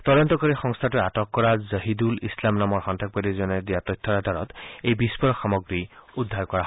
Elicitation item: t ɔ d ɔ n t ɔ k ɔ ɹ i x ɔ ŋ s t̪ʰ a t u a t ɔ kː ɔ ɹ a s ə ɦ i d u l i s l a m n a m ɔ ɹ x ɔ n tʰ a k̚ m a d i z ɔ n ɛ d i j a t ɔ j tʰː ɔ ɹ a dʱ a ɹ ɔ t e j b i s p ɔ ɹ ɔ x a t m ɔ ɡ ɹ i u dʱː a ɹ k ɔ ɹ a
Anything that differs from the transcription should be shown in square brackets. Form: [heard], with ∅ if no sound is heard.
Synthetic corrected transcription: t ɔ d ɔ n t ɔ k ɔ ɹ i x ɔ ŋ s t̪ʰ a t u a t ɔ kː ɔ ɹ a [z] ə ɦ i d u l i s l a m n a m ɔ ɹ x ɔ n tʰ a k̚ [b] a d i z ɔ n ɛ d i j a t ɔ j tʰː ɔ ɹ a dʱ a ɹ ɔ t e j b i s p ɔ ɹ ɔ x a [∅] m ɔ ɡ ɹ i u dʱː a ɹ k ɔ ɹ a